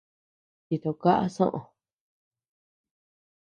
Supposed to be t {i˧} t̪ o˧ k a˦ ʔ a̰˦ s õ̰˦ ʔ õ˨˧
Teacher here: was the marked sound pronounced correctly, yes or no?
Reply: yes